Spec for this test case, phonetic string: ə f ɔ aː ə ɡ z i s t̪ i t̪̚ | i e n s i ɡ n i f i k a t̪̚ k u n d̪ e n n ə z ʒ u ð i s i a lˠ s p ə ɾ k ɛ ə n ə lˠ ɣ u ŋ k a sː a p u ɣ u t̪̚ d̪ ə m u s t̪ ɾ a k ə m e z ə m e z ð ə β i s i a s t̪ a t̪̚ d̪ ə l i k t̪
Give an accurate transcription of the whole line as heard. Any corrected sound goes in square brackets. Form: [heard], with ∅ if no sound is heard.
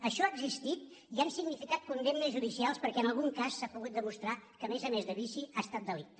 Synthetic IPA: ə [ʃ] ɔ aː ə ɡ z i s t̪ i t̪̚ | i [a] n s i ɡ n i f i k a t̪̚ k u n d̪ e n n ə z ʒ u ð i s i a lˠ s p ə ɾ k ɛ ə n ə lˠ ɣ u ŋ k a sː a p u ɣ u t̪̚ d̪ ə m u s t̪ ɾ a k ə m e z ə m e z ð ə β i s i a s t̪ a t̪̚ d̪ ə l i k t̪